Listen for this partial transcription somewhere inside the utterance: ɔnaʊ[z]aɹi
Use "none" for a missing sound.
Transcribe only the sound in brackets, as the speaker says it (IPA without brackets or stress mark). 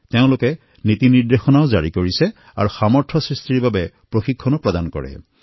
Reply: z